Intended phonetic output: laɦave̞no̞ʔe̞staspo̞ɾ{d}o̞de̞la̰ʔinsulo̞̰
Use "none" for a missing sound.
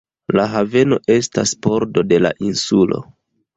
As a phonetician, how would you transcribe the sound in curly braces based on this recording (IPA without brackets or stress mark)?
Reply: d